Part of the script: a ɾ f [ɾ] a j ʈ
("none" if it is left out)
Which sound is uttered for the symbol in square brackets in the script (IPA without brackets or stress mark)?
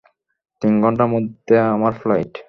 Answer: l